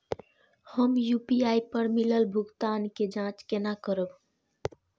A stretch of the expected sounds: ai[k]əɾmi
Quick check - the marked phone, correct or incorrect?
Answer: incorrect